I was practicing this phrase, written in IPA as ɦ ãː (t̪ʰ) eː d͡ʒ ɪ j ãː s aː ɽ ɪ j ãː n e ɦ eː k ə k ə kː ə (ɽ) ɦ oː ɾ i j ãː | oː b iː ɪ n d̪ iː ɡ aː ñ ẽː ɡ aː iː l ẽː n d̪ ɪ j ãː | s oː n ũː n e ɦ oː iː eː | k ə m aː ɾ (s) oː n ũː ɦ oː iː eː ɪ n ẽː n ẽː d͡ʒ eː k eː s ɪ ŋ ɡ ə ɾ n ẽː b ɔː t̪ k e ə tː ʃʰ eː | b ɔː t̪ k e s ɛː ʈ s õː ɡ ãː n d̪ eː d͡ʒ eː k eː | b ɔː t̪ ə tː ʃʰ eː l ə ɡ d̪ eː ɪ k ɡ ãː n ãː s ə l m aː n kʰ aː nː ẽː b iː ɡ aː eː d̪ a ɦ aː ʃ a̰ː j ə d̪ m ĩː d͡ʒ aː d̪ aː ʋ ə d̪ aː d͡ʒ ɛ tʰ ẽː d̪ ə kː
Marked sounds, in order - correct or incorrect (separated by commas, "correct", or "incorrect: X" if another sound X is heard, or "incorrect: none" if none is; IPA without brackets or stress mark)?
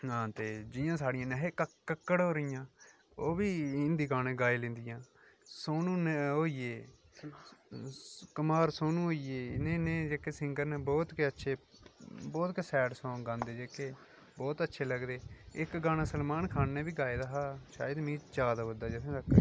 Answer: incorrect: t̪, correct, correct